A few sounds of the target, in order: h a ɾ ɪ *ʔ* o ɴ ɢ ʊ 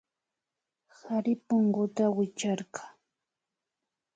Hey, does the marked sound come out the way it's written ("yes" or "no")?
no